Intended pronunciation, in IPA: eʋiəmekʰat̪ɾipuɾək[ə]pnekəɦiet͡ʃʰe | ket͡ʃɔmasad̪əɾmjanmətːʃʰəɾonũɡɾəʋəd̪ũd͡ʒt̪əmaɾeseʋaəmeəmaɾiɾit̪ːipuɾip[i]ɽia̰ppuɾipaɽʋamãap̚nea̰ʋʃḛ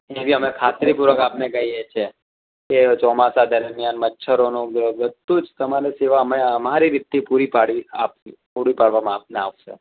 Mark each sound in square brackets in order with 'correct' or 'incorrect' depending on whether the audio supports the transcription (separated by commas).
incorrect, incorrect